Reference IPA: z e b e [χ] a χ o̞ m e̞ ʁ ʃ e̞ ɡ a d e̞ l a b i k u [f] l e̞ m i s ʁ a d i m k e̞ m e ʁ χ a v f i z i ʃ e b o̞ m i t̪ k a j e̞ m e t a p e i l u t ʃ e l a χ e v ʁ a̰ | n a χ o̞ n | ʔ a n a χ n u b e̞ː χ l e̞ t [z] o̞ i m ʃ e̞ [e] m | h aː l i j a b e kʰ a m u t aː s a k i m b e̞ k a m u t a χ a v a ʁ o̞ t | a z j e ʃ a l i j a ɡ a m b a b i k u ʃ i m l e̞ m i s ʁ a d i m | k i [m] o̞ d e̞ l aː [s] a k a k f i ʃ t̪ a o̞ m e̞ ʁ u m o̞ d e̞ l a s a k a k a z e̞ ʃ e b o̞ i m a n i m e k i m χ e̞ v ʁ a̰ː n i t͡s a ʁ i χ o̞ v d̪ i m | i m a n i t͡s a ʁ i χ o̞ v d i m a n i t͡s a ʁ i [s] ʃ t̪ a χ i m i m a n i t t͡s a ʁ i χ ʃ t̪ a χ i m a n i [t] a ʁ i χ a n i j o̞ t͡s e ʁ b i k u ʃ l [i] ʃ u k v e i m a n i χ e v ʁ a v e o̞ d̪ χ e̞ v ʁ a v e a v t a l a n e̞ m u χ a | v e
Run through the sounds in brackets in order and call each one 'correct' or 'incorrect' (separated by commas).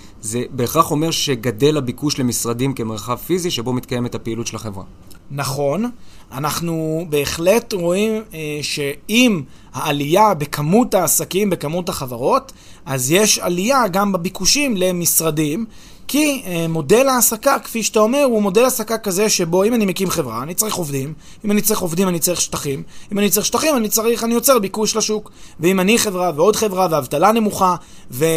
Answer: correct, incorrect, incorrect, incorrect, correct, correct, incorrect, incorrect, incorrect